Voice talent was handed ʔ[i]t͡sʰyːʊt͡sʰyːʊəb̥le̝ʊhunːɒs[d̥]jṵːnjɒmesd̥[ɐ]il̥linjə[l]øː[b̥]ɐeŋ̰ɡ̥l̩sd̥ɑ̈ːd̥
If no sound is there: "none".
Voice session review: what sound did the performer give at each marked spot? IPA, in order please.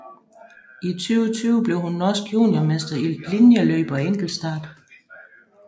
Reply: i, ɡ̥, ɐ, l, b̥

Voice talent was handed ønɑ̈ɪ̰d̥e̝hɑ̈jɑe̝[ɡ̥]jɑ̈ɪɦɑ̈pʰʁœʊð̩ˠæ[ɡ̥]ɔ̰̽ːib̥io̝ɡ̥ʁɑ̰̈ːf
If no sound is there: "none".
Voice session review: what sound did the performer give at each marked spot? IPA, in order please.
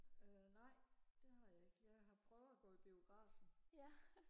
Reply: ɡ̥, ɡ̥

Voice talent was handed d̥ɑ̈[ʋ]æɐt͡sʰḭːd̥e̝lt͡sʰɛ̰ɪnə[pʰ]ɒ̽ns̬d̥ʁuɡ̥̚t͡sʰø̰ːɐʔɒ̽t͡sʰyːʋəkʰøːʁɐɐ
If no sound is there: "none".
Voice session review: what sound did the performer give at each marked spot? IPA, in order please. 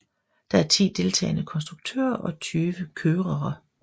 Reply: none, kʰ

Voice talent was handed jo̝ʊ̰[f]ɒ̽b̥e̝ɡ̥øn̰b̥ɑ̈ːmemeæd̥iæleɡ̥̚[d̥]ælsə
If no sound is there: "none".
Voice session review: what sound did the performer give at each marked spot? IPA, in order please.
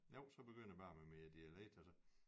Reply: s, d̥

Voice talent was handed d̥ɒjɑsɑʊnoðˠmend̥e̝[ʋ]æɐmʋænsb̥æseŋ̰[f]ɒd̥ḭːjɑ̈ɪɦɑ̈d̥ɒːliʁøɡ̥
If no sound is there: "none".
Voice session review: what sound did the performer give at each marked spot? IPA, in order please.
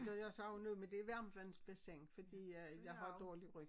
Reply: ʋ, f

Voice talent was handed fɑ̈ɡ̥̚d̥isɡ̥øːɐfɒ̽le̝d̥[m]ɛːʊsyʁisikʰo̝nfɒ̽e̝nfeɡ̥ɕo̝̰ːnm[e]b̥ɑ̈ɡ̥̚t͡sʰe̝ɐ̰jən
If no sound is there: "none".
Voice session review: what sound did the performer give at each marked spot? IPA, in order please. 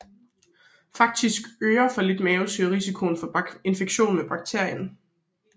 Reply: m, e

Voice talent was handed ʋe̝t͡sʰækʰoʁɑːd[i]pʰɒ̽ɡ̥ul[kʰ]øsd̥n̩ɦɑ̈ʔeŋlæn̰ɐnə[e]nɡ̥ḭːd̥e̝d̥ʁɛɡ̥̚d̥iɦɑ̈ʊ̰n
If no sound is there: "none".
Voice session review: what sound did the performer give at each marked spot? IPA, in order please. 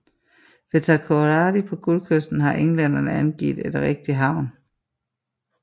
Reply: i, kʰ, æ

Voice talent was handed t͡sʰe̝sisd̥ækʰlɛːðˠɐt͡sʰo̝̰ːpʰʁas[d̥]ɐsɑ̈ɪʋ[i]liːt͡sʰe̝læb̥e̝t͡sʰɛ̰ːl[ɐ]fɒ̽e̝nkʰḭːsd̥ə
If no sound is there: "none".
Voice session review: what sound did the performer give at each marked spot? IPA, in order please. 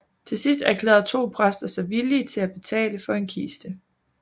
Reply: d̥, i, ə

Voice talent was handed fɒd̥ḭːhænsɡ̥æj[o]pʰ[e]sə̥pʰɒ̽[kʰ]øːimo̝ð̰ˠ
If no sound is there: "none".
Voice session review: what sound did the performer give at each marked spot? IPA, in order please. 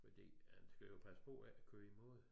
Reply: o, æ, kʰ

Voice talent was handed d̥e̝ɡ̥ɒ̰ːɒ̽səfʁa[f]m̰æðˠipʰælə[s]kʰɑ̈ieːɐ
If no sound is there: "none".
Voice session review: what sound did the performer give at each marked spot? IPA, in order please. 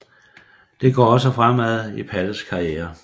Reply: none, s

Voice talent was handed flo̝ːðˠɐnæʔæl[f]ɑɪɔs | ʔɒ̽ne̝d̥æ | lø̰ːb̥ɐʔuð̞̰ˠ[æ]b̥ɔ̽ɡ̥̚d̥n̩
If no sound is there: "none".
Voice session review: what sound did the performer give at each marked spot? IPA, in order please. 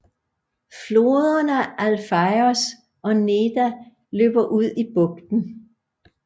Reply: f, i

